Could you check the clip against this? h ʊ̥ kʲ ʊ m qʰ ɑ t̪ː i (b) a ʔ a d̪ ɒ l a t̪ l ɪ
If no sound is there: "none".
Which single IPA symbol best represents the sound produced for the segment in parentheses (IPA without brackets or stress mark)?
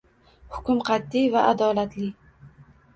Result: v